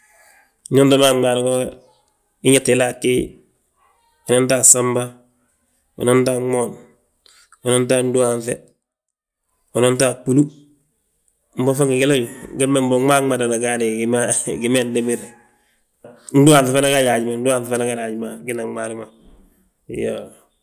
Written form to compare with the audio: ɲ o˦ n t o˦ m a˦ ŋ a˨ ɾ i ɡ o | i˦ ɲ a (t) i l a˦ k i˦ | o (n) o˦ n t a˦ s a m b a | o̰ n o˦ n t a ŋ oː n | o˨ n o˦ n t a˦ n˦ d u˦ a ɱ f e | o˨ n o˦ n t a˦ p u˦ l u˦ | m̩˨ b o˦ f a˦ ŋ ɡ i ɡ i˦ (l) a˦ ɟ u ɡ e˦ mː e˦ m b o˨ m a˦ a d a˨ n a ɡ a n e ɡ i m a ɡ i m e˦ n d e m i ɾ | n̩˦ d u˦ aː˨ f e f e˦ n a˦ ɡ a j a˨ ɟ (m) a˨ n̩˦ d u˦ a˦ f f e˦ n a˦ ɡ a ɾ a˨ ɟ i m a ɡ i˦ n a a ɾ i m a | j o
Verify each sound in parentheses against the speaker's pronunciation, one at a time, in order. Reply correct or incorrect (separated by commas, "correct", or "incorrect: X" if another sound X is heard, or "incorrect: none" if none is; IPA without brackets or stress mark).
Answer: correct, correct, correct, correct